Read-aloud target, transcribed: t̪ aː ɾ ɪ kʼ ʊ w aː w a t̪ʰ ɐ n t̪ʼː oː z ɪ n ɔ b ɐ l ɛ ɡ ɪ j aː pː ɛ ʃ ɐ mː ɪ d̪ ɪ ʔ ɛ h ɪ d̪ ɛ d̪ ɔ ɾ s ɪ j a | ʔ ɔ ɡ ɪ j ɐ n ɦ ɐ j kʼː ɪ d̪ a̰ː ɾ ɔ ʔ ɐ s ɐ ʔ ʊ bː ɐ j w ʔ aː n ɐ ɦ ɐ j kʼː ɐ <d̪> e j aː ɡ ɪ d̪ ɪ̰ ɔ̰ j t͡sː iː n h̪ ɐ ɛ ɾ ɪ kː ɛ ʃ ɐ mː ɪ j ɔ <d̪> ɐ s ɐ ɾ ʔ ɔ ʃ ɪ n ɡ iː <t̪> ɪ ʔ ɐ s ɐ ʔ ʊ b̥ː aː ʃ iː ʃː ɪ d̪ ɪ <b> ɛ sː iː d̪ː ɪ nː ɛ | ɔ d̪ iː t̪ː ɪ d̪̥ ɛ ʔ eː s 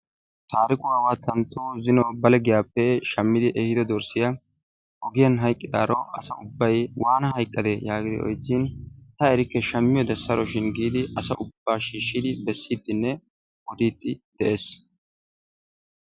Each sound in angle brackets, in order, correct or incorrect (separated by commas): correct, correct, incorrect, correct